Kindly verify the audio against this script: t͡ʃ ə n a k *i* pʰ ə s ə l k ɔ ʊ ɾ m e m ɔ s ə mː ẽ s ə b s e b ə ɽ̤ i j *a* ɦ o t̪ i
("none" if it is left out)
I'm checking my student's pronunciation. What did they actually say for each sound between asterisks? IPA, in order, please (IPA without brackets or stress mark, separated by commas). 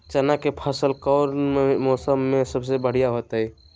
e, a